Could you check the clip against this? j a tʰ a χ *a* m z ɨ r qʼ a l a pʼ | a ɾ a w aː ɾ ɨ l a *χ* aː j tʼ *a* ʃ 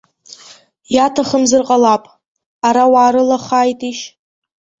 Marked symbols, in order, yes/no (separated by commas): no, yes, no